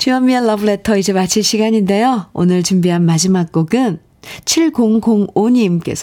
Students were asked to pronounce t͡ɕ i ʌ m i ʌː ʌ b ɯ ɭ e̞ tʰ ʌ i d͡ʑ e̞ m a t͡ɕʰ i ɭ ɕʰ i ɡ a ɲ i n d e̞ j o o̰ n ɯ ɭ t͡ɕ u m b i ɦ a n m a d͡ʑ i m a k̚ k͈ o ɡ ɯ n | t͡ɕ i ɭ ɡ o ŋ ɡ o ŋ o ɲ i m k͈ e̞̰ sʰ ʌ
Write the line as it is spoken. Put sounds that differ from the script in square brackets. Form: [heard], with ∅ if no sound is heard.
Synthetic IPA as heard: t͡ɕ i ʌ m i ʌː ʌ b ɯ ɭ e̞ tʰ ʌ i d͡ʑ e̞ m a t͡ɕʰ i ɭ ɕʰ i ɡ a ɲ i n d e̞ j o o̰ n ɯ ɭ t͡ɕ u m b i ɦ a n m a d͡ʑ i m a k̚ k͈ o ɡ ɯ n | [t͡ɕʰ] i ɭ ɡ o ŋ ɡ o ŋ o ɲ i m k͈ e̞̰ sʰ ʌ